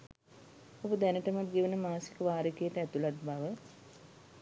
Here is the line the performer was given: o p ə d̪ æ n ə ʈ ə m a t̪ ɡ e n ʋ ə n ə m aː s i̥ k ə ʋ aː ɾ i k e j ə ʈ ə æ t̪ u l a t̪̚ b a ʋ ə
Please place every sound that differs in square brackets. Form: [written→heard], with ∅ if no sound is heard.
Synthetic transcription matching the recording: o [p→b] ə d̪ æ n ə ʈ ə m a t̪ ɡ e [n→∅] ʋ ə n ə m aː s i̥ k ə ʋ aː ɾ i k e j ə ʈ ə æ t̪ u l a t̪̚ b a ʋ ə